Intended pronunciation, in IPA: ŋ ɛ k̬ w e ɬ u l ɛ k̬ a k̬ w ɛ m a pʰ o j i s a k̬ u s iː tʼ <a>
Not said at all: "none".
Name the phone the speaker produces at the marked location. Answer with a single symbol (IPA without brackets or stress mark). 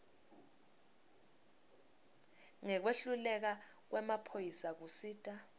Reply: a